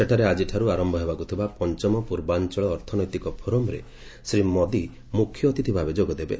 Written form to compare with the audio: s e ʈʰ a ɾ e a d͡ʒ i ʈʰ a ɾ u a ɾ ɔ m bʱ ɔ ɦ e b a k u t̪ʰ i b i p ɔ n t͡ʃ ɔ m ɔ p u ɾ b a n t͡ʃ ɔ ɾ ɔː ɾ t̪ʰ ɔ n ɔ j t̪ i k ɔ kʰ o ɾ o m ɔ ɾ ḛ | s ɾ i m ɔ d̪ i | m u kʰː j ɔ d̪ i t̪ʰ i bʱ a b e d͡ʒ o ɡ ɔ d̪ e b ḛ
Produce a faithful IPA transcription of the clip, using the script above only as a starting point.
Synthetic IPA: s e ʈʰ a ɾ e a d͡ʒ i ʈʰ a ɾ u a ɾ ɔ m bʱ ɔ ɦ e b a k u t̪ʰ i b a p ɔ n t͡ʃ ɔ m ɔ p u ɾ b a n t͡ʃ ɔ ɭ ɔː ɾ t̪ʰ ɔ n ɔ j t̪ i k ɔ pʰ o ɾ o m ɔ ɾ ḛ | s ɾ i m ɔ d̪ i | m u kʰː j ɔ t̪ i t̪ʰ i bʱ a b e d͡ʒ o ɡ ɔ d̪ e b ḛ